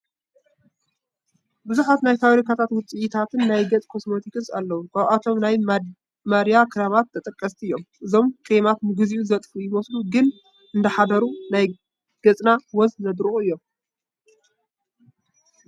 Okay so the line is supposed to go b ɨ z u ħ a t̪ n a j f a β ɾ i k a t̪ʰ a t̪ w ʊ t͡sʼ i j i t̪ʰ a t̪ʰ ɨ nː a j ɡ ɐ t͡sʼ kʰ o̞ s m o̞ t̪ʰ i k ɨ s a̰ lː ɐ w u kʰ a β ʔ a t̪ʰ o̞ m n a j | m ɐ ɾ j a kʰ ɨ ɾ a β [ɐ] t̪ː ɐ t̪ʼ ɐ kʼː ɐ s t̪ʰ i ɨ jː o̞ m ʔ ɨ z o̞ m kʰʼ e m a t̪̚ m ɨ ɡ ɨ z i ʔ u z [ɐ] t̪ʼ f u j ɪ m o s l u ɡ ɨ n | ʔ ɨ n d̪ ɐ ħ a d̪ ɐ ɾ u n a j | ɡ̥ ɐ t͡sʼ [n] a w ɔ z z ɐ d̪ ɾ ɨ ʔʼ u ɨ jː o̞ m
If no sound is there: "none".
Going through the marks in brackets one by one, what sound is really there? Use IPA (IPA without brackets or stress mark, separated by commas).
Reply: a, ɐ, n